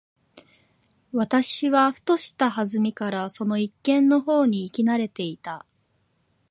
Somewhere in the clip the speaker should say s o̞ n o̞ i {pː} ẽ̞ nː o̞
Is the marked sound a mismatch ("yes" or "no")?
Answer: yes